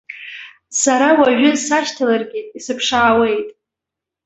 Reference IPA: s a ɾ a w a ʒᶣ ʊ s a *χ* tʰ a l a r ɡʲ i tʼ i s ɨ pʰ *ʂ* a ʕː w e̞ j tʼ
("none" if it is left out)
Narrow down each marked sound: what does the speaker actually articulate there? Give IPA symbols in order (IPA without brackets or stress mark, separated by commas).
ʃ, ʂ